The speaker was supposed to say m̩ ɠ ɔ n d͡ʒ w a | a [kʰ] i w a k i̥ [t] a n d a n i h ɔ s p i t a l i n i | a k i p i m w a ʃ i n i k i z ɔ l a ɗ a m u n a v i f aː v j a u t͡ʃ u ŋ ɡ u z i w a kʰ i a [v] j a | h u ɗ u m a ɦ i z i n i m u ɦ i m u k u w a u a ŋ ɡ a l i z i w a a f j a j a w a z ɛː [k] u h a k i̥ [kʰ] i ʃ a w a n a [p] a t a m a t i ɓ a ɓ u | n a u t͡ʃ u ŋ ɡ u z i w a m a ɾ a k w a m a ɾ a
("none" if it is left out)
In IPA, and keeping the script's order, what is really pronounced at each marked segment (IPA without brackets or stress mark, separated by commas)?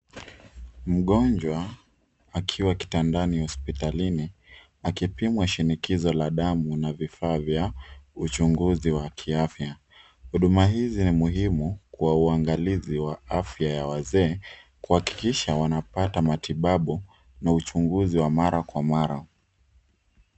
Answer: kʰ, t, f, k, k, p